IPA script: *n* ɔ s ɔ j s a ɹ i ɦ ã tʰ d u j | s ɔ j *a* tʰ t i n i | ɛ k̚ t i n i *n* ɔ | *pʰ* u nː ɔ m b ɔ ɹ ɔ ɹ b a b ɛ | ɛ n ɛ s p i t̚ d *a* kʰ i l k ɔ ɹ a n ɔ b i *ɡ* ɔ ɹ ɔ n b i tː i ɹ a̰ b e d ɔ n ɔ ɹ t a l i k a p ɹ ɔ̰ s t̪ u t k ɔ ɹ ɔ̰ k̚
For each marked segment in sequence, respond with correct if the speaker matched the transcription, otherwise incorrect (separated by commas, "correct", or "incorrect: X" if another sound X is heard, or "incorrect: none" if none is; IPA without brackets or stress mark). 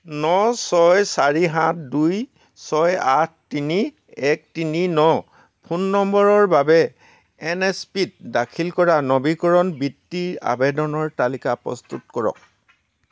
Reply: correct, correct, correct, correct, correct, incorrect: k